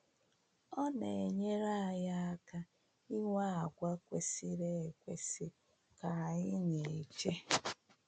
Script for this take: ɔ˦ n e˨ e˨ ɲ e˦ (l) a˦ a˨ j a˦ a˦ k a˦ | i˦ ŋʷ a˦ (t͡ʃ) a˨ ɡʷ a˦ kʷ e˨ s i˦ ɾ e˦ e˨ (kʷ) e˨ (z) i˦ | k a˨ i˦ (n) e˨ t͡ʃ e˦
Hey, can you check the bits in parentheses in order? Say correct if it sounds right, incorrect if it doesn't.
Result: incorrect: ɾ, incorrect: none, correct, incorrect: s, incorrect: ɲ

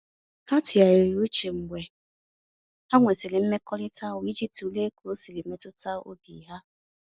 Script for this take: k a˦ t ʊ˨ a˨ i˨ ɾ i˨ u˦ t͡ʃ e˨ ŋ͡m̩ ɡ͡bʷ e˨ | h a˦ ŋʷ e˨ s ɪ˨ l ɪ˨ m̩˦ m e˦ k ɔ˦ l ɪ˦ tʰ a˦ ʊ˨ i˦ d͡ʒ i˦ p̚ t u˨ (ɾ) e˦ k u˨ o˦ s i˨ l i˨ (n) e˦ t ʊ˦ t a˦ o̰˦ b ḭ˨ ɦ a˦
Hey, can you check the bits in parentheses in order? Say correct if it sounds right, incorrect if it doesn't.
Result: incorrect: l, incorrect: m

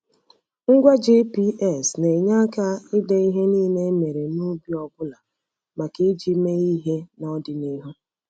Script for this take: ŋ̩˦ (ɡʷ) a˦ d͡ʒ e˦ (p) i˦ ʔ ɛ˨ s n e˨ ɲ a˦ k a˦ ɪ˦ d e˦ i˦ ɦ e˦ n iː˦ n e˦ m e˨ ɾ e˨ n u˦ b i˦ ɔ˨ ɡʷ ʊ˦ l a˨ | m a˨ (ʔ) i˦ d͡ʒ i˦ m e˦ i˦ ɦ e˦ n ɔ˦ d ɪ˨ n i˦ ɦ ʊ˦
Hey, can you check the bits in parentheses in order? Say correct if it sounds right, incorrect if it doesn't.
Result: correct, correct, incorrect: k

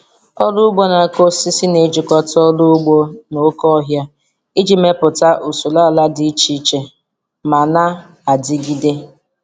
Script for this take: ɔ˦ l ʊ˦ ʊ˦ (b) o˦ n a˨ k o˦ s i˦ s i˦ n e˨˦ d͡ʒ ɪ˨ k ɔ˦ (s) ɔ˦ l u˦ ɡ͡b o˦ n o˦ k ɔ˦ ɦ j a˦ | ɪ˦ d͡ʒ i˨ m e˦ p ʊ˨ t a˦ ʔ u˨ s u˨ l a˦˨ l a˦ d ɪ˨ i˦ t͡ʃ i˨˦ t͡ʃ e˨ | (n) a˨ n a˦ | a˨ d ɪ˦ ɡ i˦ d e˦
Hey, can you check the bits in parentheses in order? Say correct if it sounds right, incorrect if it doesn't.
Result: incorrect: ɡ͡b, incorrect: t, incorrect: m

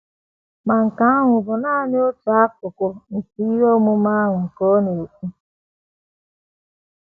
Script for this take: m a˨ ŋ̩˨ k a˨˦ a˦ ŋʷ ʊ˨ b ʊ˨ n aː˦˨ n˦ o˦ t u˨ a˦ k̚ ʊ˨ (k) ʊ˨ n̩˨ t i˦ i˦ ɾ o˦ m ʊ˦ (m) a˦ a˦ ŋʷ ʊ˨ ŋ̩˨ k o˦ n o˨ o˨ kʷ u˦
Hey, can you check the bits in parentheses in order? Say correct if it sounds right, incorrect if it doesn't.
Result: correct, correct

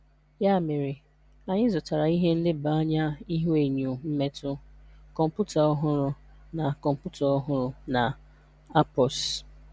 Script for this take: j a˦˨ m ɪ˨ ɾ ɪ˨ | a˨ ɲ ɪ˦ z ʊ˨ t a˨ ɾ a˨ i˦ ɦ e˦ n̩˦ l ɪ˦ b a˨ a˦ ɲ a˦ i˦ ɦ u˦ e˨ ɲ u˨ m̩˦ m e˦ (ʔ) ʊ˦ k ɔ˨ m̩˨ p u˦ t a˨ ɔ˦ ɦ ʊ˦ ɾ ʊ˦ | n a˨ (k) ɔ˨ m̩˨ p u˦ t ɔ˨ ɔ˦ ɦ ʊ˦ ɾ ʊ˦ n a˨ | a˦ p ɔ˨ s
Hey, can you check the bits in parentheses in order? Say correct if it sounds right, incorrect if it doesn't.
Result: incorrect: t, correct

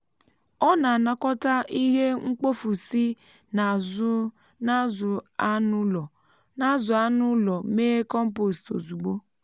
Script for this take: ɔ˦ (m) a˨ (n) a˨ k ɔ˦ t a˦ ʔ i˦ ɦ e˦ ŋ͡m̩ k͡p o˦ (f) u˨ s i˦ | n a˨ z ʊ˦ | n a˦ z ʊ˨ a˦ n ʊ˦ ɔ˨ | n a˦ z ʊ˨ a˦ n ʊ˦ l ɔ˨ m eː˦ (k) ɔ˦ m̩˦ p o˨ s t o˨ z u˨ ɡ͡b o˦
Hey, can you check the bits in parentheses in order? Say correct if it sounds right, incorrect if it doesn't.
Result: incorrect: n, correct, correct, correct

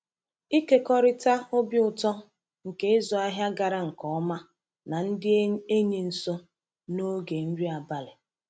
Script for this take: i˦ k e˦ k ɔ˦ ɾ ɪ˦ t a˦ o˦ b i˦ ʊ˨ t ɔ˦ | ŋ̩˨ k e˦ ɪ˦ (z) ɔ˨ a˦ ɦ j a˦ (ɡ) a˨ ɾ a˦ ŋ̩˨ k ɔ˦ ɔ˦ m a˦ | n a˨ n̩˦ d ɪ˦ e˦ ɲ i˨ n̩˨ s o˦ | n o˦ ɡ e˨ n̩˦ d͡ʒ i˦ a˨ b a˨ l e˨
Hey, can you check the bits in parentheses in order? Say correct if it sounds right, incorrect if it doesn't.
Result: correct, correct

